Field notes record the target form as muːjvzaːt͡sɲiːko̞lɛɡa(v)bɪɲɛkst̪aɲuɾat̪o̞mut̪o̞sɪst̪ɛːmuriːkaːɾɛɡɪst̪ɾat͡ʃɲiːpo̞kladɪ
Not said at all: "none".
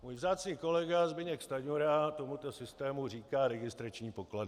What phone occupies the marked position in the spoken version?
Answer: z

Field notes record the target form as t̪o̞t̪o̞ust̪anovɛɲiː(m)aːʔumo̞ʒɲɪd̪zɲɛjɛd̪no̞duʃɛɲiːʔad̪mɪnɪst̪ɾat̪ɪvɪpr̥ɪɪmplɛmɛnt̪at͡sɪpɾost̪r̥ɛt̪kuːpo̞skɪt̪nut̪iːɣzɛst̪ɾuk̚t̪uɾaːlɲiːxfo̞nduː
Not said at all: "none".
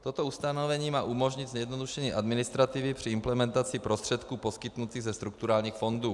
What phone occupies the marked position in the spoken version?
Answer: m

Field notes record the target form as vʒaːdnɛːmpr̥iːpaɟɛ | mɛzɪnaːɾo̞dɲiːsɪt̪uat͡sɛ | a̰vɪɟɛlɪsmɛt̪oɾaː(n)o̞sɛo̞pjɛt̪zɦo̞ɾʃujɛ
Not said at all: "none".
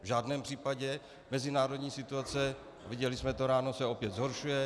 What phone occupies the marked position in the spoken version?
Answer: n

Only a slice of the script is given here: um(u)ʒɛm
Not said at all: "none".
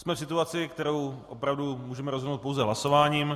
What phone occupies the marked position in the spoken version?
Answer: uː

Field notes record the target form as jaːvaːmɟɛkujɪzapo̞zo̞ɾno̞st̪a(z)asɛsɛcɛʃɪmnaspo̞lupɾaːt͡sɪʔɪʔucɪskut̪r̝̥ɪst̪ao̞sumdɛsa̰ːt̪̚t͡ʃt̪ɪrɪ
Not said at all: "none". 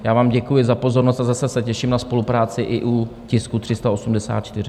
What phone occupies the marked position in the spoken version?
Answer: z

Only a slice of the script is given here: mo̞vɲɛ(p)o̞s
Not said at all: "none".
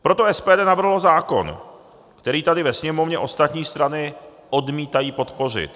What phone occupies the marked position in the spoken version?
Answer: ʔ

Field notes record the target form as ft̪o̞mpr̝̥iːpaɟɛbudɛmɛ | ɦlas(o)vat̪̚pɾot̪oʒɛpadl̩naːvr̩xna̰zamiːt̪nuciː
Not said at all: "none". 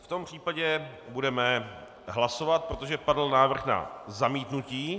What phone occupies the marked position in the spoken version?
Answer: o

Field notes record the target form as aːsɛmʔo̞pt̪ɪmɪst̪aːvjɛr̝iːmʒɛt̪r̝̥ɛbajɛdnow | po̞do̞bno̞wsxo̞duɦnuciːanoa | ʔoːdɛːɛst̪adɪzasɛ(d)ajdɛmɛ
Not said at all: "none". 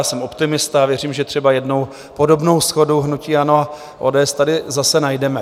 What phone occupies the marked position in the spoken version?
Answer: n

